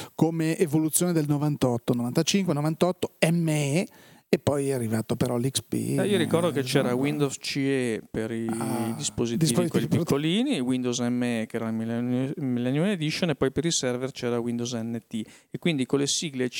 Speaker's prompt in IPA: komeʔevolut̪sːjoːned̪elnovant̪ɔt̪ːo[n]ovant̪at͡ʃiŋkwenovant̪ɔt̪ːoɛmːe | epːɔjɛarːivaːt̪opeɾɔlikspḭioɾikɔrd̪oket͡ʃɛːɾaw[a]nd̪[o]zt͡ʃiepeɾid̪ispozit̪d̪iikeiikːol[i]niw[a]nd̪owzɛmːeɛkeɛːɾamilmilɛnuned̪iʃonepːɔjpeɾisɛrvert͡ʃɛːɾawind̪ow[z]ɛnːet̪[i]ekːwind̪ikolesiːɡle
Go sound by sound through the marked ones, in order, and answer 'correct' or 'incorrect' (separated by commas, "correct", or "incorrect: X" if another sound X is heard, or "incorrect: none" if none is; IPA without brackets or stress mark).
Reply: correct, incorrect: i, correct, incorrect: iː, incorrect: i, correct, correct